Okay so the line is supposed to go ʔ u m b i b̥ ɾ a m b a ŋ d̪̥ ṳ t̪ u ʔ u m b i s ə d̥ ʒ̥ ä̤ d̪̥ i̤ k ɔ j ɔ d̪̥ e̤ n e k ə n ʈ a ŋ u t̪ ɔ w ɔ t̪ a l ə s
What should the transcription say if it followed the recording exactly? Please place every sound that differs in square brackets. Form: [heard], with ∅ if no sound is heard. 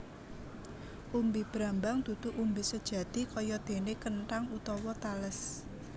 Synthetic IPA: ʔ u m b i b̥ ɾ a m b a ŋ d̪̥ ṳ t̪ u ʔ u m b i s ə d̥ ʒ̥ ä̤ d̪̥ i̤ k ɔ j ɔ d̪̥ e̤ n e k ə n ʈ a ŋ u t̪ ɔ w ɔ t̪ a l ə s